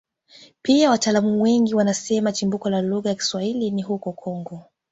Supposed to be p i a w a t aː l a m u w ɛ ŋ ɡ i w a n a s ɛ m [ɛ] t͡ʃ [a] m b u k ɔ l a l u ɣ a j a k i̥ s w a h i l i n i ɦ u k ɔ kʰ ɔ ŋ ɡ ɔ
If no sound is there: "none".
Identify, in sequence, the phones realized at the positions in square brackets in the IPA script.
a, i

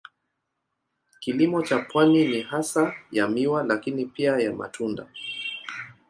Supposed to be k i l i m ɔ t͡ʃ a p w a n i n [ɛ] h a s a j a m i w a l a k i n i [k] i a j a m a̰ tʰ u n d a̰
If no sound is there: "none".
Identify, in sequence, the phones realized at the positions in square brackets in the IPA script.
i, p

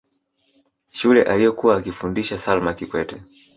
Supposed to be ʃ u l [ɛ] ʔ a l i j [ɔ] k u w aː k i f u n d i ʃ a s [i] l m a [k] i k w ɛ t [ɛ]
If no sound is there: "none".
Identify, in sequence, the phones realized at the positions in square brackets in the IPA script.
ɛ, ɔ, a, k, ɛ

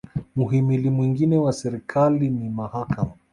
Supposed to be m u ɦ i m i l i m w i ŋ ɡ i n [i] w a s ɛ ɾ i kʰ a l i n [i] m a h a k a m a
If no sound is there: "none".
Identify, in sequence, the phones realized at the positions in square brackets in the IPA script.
ɛ, i

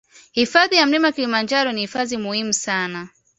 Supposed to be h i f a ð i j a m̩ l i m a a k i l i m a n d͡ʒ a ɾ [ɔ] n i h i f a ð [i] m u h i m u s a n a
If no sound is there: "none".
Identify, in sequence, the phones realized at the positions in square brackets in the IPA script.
ɔ, i

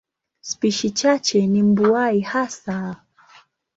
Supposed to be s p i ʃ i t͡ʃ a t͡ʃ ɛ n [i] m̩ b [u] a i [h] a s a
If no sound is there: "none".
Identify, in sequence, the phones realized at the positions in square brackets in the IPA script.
i, u, h

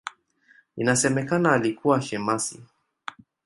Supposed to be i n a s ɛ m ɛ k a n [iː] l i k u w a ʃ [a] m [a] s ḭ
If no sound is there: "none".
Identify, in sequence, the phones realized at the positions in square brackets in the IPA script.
aː, ɛ, a

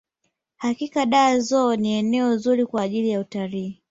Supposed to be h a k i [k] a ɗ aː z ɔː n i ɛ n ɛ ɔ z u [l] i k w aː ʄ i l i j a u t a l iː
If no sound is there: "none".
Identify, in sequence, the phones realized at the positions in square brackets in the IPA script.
k, ɾ

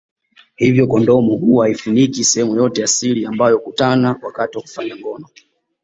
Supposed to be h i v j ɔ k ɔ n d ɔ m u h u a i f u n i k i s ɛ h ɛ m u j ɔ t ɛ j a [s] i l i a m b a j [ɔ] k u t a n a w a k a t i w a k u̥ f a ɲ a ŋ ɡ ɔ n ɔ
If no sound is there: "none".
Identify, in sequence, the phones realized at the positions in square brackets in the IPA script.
s, ɔ

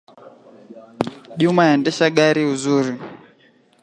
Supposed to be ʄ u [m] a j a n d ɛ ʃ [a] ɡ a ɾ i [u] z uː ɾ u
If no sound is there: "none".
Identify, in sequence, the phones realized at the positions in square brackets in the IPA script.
m, a, u

